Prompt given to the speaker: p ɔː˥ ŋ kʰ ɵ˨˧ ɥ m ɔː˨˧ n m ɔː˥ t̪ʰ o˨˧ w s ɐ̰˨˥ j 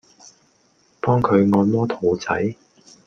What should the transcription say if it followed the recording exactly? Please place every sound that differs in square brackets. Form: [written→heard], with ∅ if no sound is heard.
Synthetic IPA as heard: p ɔː˥ ŋ kʰ ɵ˨˧ ɥ [m→ŋ] ɔː˨˧ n m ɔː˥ t̪ʰ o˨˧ w [s→t͡s] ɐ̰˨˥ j